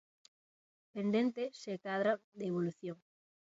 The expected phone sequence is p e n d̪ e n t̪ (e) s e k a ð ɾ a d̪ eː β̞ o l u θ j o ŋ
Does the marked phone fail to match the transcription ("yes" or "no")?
no